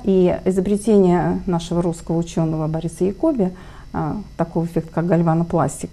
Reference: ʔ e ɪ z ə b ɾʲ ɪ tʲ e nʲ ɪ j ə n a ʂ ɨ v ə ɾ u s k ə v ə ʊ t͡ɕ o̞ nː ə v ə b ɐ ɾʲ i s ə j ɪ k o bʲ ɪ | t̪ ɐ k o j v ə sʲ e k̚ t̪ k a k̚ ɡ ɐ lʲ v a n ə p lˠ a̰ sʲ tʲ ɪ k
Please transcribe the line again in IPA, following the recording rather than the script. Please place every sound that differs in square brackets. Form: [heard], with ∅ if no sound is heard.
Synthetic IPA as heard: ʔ [i] ɪ z ə b ɾʲ ɪ tʲ e nʲ ɪ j ə n a ʂ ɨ v ə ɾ u s k ə v ə ʊ t͡ɕ o̞ nː ə v ə b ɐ ɾʲ i s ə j ɪ k o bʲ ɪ | t̪ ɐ k o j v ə [fʲ] e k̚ t̪ k a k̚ ɡ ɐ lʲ v a n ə p lˠ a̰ sʲ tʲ ɪ k